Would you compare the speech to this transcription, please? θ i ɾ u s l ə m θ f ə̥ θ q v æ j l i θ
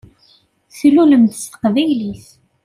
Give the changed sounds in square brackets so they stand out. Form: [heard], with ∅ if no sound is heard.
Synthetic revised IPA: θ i [l] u [∅] l ə m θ [s] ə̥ [∅] q v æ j l i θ